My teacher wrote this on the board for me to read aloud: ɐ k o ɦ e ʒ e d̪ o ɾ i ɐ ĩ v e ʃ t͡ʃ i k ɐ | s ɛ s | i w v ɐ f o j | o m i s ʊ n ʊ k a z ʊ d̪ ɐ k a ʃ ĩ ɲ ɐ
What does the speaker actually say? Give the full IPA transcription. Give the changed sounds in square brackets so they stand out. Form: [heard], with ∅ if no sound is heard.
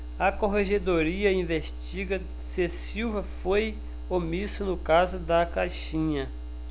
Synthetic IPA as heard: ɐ k o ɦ e ʒ e d̪ o ɾ i ɐ ĩ v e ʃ t͡ʃ i [ɡ] ɐ | s [e] s | i w v ɐ f o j | o m i s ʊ n ʊ k a z ʊ d̪ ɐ k a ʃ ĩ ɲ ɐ